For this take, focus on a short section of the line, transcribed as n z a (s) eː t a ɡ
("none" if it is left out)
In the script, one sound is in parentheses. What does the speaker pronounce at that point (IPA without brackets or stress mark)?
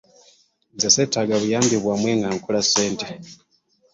s